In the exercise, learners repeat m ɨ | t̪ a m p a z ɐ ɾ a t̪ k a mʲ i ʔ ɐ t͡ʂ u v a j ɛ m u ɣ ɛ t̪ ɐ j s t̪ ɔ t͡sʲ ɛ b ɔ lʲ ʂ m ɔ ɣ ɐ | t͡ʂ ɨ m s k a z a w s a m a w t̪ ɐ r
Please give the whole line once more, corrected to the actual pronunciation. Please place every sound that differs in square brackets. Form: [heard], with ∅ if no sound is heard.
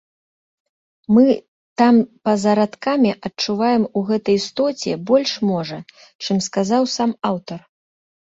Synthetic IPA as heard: m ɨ | t̪ a m p [ɐ] z ɐ ɾ a t̪ k a mʲ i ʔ ɐ t͡ʂ u v a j ɛ m u ɣ ɛ t̪ ɐ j s t̪ ɔ t͡sʲ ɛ b ɔ lʲ ʂ m ɔ [ʐ] ɐ | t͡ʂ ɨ m s k a z a w s a m a w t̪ ɐ r